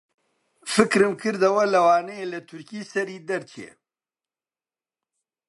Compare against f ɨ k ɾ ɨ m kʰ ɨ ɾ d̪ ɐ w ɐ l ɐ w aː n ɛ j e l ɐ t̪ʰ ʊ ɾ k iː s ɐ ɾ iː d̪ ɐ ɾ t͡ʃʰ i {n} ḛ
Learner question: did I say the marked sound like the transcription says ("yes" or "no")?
no